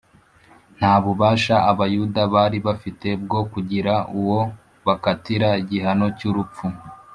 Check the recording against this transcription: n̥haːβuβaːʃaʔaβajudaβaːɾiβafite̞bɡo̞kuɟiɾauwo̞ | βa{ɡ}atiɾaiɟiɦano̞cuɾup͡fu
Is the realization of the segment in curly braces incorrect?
yes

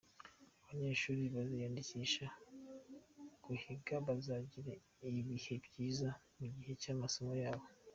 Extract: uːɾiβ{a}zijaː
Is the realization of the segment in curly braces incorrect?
no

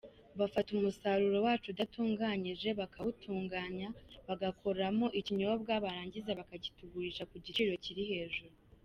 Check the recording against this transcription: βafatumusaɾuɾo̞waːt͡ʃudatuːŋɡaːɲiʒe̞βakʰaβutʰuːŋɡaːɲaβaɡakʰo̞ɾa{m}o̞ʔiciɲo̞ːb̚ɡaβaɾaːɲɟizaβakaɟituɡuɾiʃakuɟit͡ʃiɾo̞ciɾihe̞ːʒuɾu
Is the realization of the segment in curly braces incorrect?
no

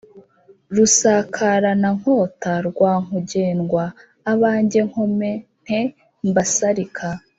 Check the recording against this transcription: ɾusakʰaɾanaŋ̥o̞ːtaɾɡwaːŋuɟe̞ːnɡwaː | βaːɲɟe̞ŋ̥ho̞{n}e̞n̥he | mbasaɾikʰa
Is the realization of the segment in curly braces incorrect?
yes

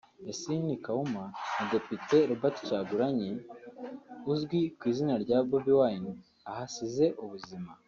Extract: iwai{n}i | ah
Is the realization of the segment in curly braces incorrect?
no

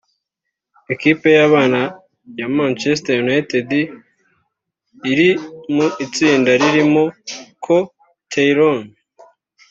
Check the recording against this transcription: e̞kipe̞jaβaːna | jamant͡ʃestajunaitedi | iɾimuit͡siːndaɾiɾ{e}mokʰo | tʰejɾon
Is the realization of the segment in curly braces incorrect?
yes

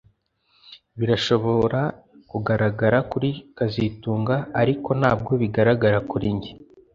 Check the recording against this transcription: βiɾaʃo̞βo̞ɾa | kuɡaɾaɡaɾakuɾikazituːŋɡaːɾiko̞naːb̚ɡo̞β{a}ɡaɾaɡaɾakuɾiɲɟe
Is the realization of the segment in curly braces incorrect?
yes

